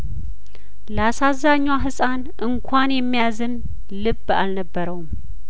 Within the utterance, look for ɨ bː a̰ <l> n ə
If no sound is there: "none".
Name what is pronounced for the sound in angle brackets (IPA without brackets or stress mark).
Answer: l